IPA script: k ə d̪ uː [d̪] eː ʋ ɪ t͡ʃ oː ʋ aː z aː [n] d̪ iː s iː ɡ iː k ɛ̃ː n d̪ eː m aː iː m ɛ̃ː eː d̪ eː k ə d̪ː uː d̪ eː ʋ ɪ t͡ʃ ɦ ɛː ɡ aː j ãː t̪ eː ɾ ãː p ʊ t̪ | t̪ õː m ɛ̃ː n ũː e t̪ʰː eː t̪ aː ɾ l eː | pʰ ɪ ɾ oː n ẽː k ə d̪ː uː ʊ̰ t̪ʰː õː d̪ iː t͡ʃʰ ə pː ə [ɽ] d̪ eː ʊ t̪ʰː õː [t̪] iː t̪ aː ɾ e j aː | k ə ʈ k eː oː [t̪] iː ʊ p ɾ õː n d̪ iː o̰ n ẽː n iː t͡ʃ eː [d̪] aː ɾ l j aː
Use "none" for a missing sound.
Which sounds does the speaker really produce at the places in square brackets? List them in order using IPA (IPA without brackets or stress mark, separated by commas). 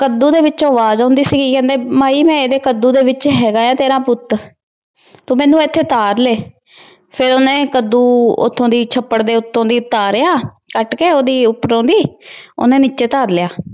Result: d̪, n, ɽ, d̪, d̪, t̪